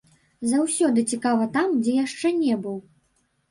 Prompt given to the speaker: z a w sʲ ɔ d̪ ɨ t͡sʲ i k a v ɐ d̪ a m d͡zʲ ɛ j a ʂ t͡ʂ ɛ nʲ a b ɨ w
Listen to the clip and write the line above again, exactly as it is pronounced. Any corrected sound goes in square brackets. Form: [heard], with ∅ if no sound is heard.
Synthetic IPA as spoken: z a w sʲ ɔ d̪ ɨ t͡sʲ i k a v ɐ [t̪] a m d͡zʲ ɛ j a ʂ t͡ʂ ɛ nʲ [ɛ] b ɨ w